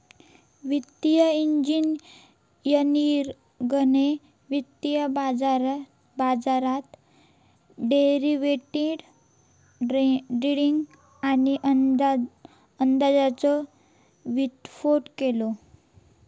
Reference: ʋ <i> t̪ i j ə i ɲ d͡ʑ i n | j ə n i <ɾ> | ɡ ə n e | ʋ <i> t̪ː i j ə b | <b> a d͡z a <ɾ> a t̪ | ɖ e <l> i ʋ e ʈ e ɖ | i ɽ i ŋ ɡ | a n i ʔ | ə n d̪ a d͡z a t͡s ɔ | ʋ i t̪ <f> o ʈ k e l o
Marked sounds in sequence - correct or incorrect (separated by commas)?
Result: correct, correct, correct, correct, correct, incorrect, correct